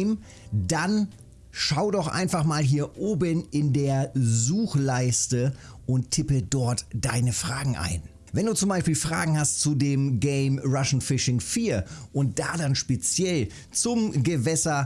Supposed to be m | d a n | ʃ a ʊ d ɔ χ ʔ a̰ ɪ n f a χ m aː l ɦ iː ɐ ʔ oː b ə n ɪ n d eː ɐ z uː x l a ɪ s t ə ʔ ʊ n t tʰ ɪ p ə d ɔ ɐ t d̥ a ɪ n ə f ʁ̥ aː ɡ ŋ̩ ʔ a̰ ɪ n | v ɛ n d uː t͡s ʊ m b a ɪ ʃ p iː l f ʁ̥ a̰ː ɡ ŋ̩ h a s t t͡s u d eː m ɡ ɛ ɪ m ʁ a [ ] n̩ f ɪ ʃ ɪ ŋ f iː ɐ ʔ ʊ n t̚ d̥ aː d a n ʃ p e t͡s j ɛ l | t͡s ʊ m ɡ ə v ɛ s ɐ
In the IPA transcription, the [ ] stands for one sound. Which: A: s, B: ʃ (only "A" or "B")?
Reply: B